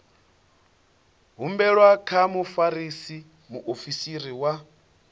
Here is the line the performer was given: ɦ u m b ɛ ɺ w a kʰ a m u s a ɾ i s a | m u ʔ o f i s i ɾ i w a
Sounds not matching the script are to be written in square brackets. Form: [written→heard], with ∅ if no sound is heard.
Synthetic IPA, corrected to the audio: ɦ u m b ɛ ɺ w a kʰ a m u [s→f] a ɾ i s [a→i] | m u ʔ o f i s i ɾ i w a